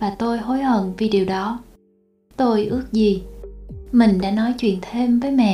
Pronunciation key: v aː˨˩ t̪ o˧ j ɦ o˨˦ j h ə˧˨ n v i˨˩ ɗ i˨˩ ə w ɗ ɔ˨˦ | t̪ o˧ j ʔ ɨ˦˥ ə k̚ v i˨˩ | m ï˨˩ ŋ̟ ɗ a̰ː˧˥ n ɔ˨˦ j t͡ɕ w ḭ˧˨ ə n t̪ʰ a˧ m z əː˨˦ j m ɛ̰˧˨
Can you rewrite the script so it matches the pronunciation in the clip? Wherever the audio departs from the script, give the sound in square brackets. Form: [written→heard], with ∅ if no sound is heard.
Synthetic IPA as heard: v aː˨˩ t̪ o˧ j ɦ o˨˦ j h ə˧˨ n v i˨˩ ɗ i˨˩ ə w ɗ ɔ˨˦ | t̪ o˧ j ʔ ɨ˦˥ ə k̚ [v→z] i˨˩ | m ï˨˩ ŋ̟ ɗ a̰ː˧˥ n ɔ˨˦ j t͡ɕ w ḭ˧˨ ə n t̪ʰ [a˧→e˧] m [z→v] əː˨˦ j m ɛ̰˧˨